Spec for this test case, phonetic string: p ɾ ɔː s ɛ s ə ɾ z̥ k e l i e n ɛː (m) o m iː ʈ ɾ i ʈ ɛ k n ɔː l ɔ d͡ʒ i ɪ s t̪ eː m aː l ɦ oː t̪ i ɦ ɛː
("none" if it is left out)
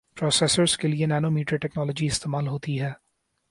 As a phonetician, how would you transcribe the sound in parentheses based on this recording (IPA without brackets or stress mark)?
n